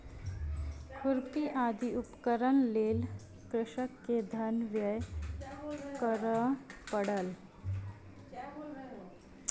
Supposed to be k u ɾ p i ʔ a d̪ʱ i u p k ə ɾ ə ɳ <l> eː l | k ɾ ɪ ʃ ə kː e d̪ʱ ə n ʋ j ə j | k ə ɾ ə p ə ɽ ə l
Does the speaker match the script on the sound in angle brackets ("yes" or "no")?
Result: yes